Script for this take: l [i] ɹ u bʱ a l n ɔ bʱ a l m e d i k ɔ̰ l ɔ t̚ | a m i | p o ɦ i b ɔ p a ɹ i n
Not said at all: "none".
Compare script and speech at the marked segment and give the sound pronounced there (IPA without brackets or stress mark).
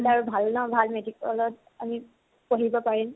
a